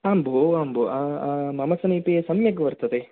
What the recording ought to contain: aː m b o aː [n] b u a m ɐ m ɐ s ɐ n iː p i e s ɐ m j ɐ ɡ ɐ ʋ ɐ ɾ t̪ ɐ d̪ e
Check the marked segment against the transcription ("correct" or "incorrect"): incorrect